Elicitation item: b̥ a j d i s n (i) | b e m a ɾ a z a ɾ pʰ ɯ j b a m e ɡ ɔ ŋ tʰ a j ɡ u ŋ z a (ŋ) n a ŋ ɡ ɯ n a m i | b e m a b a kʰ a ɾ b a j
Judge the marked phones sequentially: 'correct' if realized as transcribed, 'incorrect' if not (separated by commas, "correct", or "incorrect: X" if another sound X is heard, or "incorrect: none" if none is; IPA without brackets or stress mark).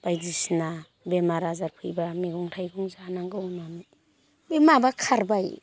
incorrect: a, incorrect: none